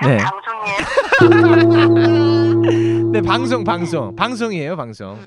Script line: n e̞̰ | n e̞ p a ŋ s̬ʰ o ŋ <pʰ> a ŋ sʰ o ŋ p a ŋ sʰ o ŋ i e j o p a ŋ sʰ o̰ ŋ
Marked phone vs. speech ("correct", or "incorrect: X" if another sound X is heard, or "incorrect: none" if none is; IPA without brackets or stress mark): incorrect: p